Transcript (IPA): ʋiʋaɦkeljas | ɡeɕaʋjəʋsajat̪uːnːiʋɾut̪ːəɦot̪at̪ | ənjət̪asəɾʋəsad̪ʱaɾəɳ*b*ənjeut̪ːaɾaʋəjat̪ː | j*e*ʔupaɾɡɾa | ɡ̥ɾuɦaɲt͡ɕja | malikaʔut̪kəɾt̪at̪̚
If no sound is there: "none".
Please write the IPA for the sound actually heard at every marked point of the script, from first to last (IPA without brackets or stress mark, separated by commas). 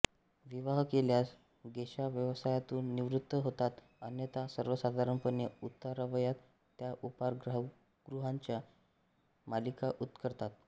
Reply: p, a